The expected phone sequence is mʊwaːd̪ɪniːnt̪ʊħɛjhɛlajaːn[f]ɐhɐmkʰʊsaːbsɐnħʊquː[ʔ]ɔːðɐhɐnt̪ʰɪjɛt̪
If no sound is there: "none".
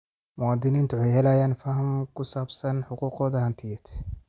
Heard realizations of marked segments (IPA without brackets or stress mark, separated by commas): f, q